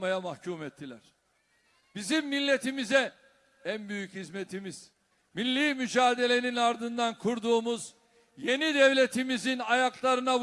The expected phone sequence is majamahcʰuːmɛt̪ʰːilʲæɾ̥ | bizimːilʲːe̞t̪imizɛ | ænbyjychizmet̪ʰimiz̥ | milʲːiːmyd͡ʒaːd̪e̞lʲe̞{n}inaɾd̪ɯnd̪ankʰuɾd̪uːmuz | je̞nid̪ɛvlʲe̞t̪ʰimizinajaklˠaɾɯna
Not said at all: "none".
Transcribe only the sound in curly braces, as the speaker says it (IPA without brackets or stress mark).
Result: n